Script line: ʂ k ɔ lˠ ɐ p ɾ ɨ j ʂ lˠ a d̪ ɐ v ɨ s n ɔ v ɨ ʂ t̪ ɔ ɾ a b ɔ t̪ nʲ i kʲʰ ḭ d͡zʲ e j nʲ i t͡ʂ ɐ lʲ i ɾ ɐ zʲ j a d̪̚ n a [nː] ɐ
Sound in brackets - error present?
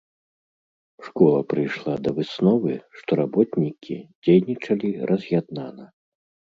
yes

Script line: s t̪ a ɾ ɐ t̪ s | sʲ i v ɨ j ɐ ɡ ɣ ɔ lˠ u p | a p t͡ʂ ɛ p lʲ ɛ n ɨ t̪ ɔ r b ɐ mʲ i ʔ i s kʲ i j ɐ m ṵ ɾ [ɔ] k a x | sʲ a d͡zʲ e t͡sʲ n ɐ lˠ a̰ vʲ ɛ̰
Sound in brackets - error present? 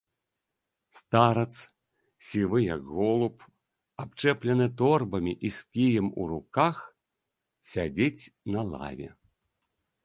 yes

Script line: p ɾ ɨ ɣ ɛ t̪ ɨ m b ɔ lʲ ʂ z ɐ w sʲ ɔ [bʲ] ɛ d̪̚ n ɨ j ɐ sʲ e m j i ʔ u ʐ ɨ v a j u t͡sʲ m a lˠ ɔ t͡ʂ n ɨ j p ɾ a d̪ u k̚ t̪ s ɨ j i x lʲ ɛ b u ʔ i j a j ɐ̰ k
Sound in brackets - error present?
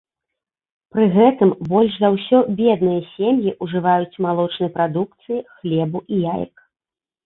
no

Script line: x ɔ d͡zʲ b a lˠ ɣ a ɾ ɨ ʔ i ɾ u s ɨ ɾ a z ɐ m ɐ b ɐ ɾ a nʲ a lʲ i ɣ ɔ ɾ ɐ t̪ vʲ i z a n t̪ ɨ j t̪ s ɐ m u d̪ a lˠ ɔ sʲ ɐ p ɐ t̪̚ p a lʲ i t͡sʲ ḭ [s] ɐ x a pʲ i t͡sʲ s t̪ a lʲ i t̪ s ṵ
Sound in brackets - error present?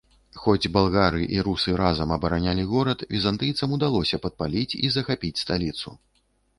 yes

